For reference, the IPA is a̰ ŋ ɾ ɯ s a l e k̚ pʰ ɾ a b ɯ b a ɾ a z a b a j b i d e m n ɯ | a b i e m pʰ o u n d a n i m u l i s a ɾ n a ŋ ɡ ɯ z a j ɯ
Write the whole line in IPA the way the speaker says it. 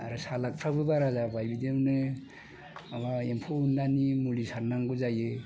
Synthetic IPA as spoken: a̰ ɾ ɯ s a l a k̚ pʰ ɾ a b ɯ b a ɾ a z a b a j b i d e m n ɯ | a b a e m pʰ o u n d a n i m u l i s a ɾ n a ŋ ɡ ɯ z a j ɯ